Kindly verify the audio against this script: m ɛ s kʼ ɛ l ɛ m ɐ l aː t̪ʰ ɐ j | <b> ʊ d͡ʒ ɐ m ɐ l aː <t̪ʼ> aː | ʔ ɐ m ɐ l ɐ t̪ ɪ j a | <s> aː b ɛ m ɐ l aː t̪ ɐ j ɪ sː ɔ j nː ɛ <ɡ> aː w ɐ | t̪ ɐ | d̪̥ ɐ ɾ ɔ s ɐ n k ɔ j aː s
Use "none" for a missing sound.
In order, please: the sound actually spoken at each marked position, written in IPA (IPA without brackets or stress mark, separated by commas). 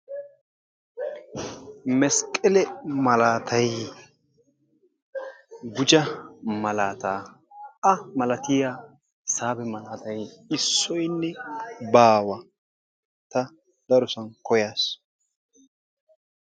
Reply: ɡ, t̪, s, b